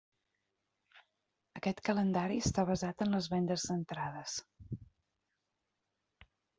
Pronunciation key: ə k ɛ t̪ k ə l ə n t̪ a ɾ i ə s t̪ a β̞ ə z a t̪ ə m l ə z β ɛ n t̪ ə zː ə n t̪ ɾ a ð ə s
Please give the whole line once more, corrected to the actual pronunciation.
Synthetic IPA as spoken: ə k ɛ t̪ k ə l ə n d̪ a ɾ i ə s t̪ a β̞ ə z a t̪ ə n l ə z β ɛ n d̪ ə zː ə n t̪ ɾ a ð ə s